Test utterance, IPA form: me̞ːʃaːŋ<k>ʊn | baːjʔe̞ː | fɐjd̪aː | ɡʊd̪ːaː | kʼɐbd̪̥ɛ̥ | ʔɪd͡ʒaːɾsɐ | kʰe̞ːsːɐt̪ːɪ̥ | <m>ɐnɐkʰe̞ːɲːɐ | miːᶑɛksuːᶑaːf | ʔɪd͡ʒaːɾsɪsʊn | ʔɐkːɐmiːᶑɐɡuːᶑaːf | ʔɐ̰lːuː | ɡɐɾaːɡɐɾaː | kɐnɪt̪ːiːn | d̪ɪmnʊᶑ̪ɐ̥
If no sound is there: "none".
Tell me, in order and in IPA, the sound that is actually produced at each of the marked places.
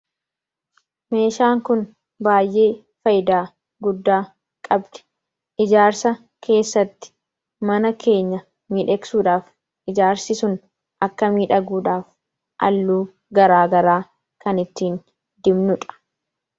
k, m

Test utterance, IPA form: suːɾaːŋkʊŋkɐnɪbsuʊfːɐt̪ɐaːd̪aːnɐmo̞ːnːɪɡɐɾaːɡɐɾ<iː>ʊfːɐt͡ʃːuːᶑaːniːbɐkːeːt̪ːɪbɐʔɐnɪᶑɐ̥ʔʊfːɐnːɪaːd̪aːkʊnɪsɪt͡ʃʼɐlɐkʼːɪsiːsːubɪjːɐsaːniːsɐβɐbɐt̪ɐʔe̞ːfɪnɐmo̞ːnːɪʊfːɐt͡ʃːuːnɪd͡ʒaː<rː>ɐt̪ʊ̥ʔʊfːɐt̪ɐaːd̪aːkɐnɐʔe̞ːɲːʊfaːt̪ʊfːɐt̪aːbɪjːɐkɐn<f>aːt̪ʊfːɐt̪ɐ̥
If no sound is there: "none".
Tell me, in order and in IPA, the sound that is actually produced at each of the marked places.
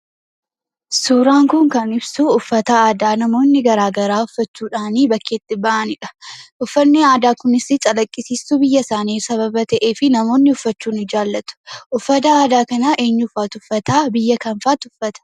aː, lː, f

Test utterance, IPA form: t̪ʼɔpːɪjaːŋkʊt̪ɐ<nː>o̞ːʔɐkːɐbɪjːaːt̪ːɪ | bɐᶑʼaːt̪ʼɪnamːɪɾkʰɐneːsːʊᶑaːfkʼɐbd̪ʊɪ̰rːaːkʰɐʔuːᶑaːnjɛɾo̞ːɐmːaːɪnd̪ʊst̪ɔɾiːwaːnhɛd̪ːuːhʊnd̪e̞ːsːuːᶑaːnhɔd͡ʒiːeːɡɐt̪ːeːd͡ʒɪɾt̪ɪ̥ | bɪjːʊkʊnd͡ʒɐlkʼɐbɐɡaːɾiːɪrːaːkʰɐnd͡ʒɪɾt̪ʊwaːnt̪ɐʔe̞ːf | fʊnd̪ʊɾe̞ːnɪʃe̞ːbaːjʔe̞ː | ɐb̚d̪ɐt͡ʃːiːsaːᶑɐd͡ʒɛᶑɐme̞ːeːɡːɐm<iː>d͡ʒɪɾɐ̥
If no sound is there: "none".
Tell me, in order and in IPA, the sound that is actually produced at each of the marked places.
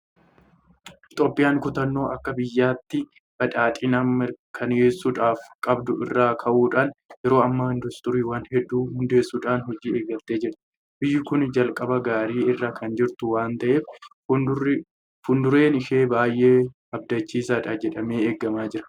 nː, aː

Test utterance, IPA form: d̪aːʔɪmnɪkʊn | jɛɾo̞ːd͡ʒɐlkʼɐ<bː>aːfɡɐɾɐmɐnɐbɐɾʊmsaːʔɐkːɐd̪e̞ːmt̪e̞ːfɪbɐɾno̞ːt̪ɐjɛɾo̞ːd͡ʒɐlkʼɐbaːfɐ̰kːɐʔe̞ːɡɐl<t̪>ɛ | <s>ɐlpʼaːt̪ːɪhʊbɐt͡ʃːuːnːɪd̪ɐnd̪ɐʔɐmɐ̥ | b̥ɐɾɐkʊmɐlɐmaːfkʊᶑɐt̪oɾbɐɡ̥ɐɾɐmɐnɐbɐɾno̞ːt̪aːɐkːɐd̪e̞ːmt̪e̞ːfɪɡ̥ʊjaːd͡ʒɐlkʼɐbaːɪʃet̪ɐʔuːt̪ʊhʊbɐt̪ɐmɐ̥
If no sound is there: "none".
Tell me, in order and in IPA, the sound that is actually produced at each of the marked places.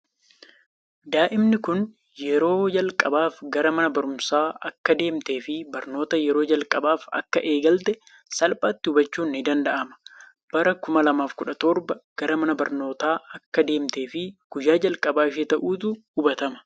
b, t̪, s

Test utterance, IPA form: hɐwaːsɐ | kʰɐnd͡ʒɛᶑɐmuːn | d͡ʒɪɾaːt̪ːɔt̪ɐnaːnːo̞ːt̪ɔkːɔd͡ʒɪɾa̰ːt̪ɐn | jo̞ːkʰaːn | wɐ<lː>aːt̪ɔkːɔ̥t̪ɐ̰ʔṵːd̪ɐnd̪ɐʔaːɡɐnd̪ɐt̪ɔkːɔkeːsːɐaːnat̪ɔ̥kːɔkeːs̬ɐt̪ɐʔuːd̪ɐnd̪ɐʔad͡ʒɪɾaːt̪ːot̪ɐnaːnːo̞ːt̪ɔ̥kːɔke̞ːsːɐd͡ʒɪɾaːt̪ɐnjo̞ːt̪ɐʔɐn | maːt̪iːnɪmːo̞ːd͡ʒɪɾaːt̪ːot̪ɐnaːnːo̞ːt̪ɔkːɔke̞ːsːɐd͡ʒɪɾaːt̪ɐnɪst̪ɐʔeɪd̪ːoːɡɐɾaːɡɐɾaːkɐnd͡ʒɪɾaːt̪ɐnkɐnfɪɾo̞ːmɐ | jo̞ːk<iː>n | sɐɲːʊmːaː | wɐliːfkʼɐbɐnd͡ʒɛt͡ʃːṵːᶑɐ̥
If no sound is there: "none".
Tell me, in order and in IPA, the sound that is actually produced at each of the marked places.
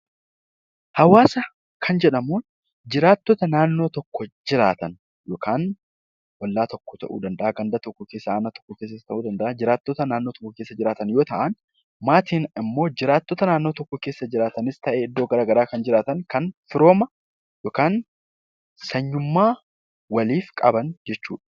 lː, aː

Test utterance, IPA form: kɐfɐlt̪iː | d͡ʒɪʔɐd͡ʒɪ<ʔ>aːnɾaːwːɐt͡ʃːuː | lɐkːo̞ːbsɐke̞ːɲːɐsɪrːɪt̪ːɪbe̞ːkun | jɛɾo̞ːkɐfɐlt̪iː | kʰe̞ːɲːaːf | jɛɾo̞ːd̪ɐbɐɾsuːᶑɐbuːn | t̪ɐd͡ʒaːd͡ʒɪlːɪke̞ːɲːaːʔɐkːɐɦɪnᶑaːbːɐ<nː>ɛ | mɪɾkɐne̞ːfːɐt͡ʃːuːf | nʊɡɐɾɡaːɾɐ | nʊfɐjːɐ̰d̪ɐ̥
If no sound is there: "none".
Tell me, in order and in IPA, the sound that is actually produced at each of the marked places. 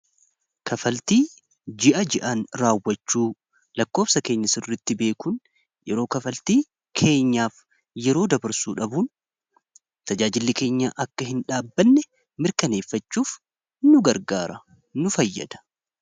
ʔ, nː

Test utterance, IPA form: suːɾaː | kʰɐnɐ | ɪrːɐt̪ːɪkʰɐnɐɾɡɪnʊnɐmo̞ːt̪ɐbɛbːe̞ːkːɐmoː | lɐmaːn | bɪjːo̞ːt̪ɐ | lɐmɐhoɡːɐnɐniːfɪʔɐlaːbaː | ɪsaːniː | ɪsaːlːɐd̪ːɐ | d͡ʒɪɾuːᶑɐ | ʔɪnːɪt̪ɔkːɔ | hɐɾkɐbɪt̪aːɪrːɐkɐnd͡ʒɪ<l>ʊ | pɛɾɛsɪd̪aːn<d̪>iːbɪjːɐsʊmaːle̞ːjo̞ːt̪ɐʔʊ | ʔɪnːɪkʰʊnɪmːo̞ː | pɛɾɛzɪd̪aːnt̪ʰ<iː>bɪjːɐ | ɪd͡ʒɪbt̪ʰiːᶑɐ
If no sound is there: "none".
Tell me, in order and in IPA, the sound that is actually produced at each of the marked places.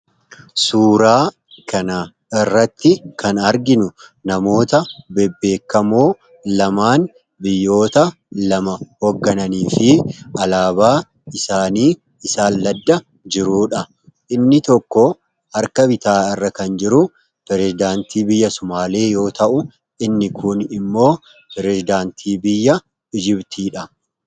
ɾ, t̪, iː

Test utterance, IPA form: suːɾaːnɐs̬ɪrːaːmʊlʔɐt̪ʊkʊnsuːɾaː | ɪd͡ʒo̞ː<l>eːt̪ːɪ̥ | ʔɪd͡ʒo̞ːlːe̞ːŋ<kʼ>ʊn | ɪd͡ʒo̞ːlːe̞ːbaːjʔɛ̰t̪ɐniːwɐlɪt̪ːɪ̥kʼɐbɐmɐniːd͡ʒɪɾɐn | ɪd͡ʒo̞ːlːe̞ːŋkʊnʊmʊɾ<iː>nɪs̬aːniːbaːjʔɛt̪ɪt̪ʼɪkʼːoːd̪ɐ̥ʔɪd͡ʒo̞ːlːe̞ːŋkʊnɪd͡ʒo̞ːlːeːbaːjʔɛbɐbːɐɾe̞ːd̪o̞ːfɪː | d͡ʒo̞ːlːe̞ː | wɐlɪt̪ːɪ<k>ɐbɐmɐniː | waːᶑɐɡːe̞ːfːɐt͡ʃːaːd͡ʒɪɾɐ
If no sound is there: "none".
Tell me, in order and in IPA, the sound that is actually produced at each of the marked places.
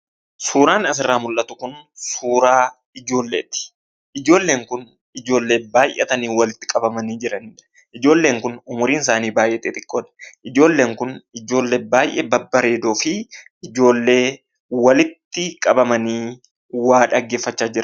lː, k, iː, kʼ

